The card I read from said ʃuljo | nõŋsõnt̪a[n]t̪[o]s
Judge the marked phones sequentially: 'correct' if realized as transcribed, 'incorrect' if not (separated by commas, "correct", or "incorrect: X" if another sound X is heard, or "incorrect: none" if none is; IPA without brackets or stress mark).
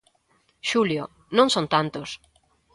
correct, correct